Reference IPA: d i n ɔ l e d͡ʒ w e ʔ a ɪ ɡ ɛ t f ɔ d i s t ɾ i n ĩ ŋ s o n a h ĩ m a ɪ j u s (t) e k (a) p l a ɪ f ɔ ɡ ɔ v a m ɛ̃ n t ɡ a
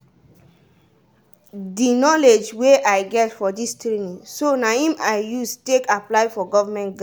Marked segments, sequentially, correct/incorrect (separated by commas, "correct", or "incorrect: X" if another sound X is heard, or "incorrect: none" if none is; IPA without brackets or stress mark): correct, correct